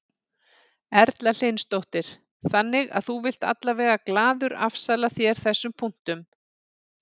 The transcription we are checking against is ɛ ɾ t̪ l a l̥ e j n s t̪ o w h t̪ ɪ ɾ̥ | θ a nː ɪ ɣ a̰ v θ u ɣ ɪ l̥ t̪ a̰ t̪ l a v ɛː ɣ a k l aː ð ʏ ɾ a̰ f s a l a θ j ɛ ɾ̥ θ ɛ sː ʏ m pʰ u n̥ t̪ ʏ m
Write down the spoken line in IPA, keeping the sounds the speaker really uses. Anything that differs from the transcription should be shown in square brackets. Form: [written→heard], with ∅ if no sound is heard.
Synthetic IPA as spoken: ɛ ɾ t̪ l a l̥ e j n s t̪ o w h t̪ ɪ ɾ̥ | θ a nː ɪ ɣ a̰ [v→ð] θ u [ɣ→v] ɪ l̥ t̪ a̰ t̪ l a v ɛː ɣ a k l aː ð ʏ ɾ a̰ f s a l a θ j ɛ ɾ̥ θ ɛ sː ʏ m pʰ u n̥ t̪ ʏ m